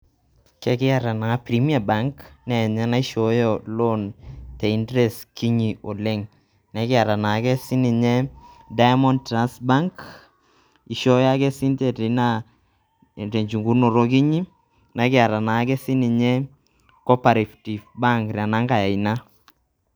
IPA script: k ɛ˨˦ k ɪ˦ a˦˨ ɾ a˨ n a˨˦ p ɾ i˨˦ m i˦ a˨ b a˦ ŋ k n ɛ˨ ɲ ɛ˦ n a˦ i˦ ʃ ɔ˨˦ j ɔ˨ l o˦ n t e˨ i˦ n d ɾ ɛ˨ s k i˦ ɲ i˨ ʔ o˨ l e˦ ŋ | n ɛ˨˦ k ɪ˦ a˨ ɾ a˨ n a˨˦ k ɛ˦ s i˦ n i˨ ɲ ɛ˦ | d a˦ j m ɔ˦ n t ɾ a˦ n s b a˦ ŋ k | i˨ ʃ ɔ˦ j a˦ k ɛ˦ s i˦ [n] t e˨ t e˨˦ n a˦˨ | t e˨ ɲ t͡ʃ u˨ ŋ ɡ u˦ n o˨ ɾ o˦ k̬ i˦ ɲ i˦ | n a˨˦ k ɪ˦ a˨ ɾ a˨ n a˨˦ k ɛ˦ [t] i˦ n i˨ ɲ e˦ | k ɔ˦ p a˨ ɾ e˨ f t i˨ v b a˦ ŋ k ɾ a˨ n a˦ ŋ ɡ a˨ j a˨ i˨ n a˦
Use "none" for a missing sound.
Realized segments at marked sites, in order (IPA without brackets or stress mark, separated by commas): n, s